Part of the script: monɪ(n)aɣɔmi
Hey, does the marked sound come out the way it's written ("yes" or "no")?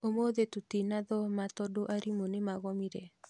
no